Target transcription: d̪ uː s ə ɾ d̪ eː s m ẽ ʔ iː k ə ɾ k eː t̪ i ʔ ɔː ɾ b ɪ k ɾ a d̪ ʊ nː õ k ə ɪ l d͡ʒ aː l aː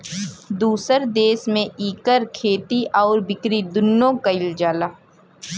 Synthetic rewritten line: d̪ uː s ə ɾ d̪ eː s m ẽ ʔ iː k ə ɾ kʰ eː t̪ i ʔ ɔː ɾ b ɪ k ɾ i d̪ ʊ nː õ k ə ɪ l d͡ʒ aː l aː